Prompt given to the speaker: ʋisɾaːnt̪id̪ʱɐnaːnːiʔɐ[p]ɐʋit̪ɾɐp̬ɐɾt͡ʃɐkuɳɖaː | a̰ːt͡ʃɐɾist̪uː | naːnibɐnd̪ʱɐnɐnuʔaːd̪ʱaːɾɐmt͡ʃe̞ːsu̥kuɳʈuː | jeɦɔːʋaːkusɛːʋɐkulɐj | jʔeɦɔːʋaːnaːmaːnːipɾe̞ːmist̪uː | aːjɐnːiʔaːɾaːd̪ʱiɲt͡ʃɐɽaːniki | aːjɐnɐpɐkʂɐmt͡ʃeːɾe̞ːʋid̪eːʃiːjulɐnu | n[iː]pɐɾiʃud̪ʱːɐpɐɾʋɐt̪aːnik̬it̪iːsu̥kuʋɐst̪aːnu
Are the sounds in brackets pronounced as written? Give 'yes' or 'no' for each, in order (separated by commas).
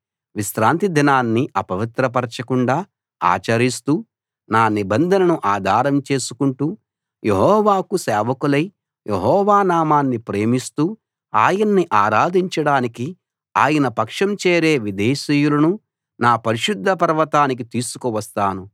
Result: yes, no